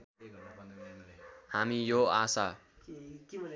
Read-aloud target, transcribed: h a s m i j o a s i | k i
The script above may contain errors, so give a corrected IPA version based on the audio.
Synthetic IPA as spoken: h a m i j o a s a | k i